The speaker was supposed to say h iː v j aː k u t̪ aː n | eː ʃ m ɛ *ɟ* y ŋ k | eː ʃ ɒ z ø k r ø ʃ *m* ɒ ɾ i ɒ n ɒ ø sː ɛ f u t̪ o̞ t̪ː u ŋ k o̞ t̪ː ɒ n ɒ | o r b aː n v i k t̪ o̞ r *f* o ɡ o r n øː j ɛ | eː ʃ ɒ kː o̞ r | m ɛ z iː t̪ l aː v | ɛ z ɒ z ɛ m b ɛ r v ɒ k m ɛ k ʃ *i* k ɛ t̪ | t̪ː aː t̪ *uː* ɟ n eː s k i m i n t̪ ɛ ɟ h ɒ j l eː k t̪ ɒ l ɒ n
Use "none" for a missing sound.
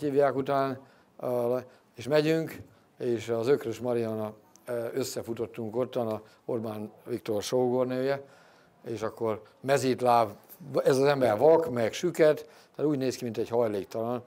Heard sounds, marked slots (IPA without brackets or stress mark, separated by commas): ɟ, m, ʃ, y, uː